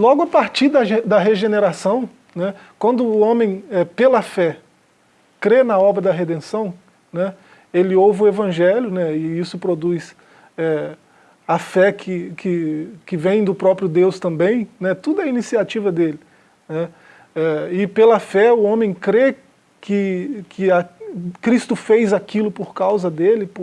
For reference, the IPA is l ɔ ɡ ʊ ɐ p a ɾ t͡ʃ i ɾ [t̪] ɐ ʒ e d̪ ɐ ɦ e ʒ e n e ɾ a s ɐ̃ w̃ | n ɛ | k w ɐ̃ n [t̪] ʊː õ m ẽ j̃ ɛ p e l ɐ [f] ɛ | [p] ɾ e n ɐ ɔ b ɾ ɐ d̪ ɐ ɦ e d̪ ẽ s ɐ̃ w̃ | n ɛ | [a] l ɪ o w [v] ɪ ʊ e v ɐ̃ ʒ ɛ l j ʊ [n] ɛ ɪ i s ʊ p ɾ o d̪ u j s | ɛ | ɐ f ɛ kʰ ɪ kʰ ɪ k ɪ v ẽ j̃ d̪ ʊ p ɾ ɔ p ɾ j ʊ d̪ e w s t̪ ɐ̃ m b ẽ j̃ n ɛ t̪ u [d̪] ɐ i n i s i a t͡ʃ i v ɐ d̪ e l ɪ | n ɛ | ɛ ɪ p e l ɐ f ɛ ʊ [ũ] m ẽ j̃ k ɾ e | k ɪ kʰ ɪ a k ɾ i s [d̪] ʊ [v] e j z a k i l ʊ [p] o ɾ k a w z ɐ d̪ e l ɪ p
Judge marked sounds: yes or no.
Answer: no, no, yes, no, no, yes, yes, yes, no, no, no, yes

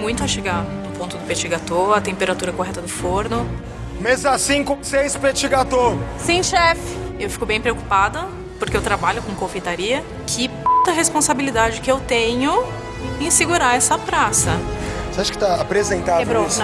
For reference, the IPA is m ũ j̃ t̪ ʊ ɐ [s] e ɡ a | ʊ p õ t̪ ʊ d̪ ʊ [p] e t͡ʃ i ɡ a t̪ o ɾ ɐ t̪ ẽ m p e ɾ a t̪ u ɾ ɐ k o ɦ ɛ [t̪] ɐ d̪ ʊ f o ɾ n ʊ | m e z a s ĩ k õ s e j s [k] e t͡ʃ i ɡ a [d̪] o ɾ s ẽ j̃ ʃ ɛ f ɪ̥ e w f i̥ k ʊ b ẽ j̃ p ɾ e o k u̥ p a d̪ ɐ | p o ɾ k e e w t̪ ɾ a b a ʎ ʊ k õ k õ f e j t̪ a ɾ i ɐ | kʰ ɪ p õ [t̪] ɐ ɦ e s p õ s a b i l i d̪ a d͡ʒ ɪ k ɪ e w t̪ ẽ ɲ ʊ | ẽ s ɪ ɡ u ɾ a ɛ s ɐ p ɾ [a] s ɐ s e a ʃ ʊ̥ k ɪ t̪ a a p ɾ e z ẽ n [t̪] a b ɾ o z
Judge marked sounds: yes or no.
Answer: no, yes, yes, no, no, yes, yes, yes

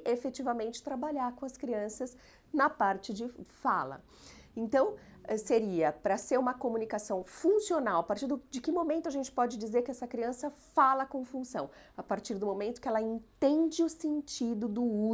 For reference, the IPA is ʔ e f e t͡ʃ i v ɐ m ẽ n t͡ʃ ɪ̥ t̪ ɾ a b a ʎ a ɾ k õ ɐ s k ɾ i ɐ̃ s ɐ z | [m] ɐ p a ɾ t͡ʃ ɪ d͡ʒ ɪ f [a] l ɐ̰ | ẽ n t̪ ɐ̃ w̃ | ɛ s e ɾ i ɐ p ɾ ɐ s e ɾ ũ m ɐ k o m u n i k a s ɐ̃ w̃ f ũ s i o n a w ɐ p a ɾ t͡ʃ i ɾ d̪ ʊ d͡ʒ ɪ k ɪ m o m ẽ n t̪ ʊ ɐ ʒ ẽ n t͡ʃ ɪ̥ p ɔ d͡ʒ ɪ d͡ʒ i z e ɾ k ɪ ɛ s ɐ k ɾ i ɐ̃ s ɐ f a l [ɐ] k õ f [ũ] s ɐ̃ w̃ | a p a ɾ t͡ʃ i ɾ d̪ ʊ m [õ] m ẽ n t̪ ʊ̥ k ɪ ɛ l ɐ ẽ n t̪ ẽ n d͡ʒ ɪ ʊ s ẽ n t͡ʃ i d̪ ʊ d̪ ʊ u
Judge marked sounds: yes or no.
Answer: no, yes, yes, yes, no

